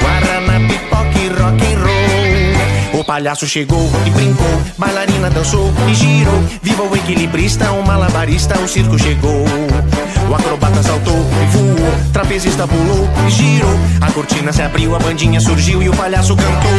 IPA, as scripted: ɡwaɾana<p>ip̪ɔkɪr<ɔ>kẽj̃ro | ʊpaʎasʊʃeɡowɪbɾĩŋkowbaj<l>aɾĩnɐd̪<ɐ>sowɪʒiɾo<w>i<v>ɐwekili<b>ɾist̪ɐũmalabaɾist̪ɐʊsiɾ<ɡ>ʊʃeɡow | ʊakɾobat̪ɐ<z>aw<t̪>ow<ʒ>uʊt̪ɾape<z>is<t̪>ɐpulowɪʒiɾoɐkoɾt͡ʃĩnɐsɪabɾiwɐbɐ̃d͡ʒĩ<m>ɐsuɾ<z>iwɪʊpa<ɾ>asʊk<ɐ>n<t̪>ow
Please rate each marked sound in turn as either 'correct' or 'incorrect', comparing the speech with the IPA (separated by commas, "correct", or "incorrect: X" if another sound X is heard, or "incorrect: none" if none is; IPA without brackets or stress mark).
correct, correct, correct, incorrect: ɐ̃, incorrect: v, correct, correct, incorrect: k, incorrect: s, correct, incorrect: v, correct, correct, incorrect: ɲ, incorrect: ʒ, incorrect: ʎ, incorrect: ɐ̃, correct